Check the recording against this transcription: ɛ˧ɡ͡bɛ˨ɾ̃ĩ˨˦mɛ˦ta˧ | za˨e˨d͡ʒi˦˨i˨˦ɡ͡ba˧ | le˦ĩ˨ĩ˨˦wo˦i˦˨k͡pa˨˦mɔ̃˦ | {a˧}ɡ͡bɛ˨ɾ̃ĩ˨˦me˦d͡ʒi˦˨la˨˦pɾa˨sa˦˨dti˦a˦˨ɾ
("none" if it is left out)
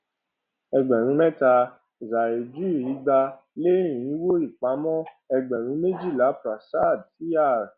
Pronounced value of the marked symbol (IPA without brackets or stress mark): ɛ˧